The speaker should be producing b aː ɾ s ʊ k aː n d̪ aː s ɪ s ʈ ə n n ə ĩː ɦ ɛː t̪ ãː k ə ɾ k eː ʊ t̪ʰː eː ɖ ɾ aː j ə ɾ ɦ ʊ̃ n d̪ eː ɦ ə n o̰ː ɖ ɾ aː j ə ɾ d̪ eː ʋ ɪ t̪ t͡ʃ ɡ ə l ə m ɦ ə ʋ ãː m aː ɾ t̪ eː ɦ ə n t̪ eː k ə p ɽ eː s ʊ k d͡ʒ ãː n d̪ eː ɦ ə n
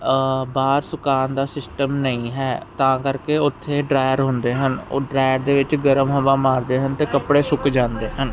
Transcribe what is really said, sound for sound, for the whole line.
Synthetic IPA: b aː ɾ s ʊ k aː n d̪ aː s ɪ s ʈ ə m n ə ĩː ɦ ɛː t̪ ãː k ə ɾ k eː ʊ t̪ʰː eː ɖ ɾ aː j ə ɾ ɦ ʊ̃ n d̪ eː ɦ ə n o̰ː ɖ ɾ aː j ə ɾ d̪ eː ʋ ɪ t͡ʃ ɡ ə ɾ ə m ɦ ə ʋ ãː m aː ɾ d̪ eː ɦ ə n t̪ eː k ə p ɽ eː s ʊ k d͡ʒ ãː n d̪ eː ɦ ə n